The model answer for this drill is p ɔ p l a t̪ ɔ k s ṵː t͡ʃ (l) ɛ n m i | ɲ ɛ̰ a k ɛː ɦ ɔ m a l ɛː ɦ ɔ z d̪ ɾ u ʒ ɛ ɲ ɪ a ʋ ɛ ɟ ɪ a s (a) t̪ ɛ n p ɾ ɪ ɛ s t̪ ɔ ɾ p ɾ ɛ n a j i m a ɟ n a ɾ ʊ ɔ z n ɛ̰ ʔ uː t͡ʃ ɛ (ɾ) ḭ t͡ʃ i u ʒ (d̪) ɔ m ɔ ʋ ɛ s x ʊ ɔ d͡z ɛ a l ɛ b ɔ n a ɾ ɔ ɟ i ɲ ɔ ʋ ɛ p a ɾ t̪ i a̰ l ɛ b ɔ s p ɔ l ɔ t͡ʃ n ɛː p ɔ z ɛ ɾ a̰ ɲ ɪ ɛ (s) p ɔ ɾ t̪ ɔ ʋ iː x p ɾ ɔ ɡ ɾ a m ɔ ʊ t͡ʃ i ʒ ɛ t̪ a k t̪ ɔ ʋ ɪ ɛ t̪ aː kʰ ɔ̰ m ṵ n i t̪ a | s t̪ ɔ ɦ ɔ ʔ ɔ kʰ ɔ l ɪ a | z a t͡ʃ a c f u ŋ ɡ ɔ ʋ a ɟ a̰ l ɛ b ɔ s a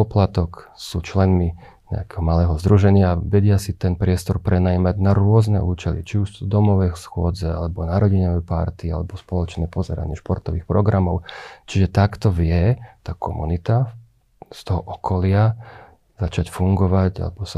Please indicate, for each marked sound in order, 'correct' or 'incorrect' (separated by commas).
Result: correct, incorrect, incorrect, correct, incorrect